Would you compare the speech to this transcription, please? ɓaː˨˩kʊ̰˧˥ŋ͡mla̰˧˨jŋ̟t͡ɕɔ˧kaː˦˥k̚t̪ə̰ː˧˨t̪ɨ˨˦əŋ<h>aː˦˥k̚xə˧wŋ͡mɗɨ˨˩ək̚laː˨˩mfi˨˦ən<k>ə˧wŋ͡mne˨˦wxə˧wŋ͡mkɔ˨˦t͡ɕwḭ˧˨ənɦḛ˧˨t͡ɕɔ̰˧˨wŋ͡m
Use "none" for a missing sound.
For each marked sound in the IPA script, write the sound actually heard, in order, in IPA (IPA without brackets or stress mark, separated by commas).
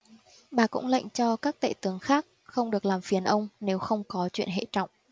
x, ʔ